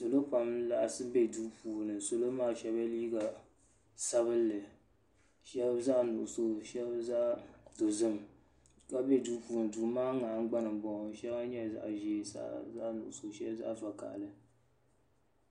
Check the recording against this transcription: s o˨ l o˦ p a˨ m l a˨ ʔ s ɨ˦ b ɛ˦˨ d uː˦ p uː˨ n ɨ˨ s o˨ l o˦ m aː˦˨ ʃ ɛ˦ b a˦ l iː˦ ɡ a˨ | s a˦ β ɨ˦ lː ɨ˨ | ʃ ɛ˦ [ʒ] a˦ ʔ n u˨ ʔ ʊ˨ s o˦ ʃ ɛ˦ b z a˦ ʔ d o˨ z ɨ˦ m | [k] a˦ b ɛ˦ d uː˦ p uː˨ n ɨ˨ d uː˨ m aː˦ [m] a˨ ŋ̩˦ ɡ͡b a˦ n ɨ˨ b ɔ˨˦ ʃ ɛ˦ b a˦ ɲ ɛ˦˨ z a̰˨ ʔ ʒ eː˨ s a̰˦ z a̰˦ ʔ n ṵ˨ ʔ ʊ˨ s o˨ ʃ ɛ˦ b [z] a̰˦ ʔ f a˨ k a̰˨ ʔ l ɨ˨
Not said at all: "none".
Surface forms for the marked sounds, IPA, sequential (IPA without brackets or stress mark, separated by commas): z, k, ŋ, z